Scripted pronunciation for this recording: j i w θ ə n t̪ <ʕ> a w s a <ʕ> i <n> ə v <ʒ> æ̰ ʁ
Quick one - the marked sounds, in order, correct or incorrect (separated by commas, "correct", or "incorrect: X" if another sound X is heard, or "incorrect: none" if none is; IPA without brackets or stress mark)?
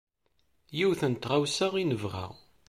incorrect: ʁ, incorrect: ʁ, correct, incorrect: ʁ